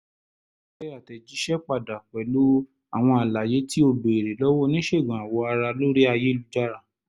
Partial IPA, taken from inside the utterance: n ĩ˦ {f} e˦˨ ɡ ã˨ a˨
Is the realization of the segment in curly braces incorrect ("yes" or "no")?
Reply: yes